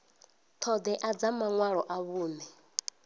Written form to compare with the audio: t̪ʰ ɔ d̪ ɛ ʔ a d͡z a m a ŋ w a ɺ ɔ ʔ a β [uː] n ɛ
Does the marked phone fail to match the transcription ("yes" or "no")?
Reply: no